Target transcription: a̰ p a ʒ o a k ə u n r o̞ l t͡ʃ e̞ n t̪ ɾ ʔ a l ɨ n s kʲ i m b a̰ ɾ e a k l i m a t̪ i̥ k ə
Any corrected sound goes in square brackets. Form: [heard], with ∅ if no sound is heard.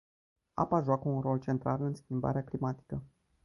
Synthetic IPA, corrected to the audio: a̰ p a ʒ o a k ə u n r o̞ l t͡ʃ e̞ n t̪ ɾ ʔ a l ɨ n s kʲ i m b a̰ ɾ e a k l i m a t̪ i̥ k ə